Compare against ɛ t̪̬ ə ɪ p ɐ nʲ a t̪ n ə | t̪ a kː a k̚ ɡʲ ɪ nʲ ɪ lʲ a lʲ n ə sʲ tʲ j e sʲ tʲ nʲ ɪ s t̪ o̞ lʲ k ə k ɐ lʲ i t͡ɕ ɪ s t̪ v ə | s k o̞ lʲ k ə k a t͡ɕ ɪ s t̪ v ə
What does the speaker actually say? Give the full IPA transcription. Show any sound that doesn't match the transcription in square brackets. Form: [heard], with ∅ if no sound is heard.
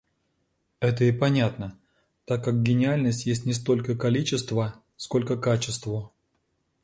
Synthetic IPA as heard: ɛ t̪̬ ə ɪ p ɐ nʲ a t̪ n ə | t̪ a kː a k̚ ɡʲ ɪ nʲ ɪ [∅] a lʲ n ə sʲ tʲ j e sʲ tʲ nʲ ɪ s t̪ o̞ lʲ k ə k ɐ lʲ i t͡ɕ ɪ s t̪ v ə | s k o̞ lʲ k ə k a t͡ɕ ɪ s t̪ v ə